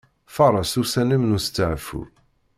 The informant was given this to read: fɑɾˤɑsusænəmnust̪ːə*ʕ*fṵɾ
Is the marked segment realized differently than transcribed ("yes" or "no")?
no